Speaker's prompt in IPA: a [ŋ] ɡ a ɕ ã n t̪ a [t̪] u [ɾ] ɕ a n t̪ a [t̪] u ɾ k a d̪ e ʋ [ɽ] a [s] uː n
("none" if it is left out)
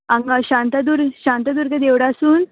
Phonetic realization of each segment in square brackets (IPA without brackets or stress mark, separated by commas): ŋ, d̪, ɾ, d̪, ɽ, s